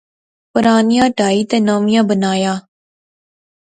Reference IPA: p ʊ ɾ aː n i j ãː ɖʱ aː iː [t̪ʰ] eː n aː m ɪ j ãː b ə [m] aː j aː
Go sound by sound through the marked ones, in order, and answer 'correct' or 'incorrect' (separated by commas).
incorrect, incorrect